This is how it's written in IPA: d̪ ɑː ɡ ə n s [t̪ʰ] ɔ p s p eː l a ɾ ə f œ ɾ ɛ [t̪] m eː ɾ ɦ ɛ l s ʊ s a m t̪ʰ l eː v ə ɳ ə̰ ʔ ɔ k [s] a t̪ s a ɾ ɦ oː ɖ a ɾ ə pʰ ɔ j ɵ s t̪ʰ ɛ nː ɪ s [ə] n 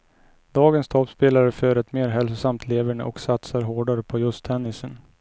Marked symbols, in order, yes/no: yes, yes, yes, yes

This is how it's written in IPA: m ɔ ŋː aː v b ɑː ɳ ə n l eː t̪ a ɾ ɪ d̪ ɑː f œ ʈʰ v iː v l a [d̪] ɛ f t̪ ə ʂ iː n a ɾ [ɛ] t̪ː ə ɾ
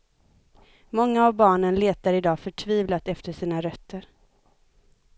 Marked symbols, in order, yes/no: no, no

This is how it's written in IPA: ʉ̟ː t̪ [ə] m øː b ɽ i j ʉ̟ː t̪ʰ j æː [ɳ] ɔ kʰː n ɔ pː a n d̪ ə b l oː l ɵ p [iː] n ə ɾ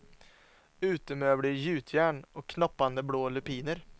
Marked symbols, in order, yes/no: yes, yes, yes

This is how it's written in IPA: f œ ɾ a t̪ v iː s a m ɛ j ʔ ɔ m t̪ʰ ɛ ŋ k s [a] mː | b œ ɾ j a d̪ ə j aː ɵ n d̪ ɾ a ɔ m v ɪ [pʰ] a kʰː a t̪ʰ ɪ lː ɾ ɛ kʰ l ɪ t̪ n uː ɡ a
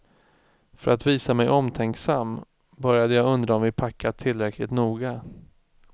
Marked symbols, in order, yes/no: yes, yes

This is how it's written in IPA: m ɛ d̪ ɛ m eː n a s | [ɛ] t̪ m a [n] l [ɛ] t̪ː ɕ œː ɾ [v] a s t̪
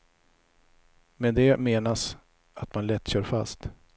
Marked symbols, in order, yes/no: no, yes, yes, no

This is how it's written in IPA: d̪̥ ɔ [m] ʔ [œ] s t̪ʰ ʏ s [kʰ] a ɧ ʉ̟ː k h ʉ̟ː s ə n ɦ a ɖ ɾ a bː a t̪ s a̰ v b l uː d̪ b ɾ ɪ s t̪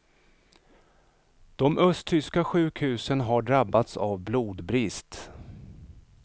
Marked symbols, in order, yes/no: yes, yes, no

